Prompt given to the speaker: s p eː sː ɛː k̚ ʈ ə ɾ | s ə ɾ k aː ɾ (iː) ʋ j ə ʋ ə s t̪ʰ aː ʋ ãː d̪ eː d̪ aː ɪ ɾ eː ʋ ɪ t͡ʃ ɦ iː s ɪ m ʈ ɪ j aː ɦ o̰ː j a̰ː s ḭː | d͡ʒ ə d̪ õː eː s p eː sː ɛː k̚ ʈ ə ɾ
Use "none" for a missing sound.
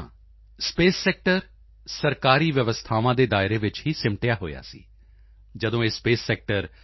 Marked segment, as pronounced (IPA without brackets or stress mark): iː